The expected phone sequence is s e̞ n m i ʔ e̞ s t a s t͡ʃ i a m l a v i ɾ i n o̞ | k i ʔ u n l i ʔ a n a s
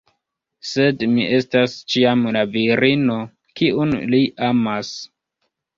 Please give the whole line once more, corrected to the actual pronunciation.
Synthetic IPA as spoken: s e̞ d m i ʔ e̞ s t a s t͡ʃ i a m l a v i ɾ i n o̞ | k i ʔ u n l i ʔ a m a s